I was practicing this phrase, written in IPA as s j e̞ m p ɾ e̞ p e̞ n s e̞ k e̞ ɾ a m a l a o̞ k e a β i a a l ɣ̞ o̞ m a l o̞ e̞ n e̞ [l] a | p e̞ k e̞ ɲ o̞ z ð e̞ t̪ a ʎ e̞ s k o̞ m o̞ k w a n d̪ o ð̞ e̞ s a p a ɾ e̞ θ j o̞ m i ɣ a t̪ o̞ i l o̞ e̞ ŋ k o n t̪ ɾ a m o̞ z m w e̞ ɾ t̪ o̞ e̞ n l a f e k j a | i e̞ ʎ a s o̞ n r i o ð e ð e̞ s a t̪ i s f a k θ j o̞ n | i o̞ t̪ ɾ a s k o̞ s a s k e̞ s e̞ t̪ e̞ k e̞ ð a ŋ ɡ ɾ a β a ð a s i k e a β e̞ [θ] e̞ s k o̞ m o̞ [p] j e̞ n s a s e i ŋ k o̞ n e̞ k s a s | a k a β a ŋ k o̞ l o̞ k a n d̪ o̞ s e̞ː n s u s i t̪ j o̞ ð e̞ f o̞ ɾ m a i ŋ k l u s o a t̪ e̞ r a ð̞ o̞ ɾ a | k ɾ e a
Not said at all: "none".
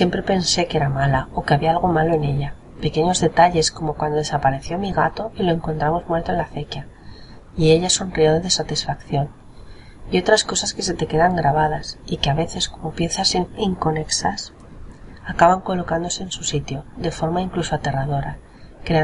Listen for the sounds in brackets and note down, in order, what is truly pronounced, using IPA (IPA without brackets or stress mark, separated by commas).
ʎ, θ, p